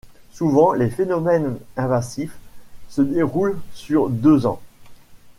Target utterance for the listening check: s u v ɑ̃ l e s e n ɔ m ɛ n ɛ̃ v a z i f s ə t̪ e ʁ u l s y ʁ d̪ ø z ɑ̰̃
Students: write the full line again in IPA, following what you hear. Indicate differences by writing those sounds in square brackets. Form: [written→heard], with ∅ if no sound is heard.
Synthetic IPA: s u v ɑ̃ l e [s→f] e n ɔ m ɛ n ɛ̃ v a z i f s ə [t̪→d̪] e ʁ u l s y ʁ d̪ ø z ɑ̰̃

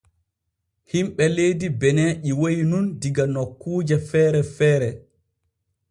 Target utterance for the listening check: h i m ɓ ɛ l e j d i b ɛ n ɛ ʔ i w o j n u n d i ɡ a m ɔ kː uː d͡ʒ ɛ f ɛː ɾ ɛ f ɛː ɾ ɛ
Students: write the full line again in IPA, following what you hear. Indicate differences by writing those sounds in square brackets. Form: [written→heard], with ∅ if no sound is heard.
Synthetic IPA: h i m ɓ ɛ l e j d i b ɛ n ɛ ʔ i w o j n u n d i ɡ a [m→n] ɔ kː uː d͡ʒ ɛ f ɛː ɾ ɛ f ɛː ɾ ɛ

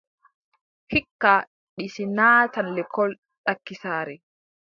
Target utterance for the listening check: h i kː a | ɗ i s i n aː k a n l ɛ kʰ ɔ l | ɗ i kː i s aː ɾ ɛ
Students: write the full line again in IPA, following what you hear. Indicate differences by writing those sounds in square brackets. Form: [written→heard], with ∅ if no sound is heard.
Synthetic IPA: h i kː a | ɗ i s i n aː [k→t] a n l ɛ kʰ ɔ l | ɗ [i→a] kː i s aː ɾ ɛ

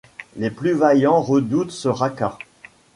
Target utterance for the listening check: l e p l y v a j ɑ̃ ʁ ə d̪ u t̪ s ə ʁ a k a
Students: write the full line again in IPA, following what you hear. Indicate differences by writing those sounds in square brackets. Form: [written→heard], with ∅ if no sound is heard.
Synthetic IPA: l e p l y v a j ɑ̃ ʁ ə d̪ u t̪ s ə ʁ a k a

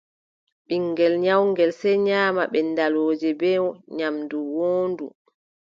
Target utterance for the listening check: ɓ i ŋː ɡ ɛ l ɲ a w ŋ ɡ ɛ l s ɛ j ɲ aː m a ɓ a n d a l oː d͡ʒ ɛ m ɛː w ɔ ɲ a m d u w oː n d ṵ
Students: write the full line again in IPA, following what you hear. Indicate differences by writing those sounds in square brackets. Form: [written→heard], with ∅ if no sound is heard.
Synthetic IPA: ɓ i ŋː ɡ ɛ l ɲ a w ŋ ɡ ɛ l s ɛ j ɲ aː m a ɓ [a→ɛ] n d a l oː d͡ʒ ɛ [m→b] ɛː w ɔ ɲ a m d u w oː n d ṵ

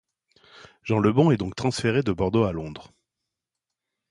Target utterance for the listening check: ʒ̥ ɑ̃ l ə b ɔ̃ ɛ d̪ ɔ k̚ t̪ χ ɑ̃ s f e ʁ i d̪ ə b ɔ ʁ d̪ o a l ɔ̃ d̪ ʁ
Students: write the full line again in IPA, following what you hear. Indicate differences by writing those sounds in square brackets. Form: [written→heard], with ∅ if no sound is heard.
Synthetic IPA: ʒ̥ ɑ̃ l ə b ɔ̃ ɛ d̪ [ɔ→ɔ̃] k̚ t̪ χ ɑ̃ s f e ʁ [i→e] d̪ ə b ɔ ʁ d̪ o a l ɔ̃ d̪ ʁ

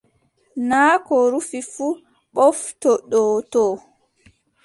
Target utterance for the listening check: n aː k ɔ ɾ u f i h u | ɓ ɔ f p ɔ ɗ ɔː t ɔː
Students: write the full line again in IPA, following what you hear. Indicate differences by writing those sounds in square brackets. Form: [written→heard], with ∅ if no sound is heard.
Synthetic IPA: n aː k ɔ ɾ u f i [h→f] u | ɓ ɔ f [p→t] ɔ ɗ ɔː t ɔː

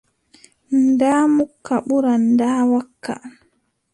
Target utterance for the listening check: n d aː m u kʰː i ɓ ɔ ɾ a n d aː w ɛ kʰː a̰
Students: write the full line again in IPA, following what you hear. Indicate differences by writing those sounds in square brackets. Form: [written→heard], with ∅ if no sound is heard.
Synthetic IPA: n d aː m u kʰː [i→a] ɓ [ɔ→u] ɾ a n d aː w [ɛ→a] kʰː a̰

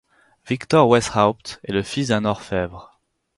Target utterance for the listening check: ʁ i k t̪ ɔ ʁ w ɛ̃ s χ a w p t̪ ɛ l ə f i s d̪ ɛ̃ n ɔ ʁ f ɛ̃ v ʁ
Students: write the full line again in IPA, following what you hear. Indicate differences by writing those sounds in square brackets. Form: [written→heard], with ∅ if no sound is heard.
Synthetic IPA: [ʁ→v] i k t̪ ɔ ʁ w [ɛ̃→ɛ] s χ a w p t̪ ɛ l ə f i s d̪ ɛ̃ n ɔ ʁ f [ɛ̃→ɛ] v ʁ

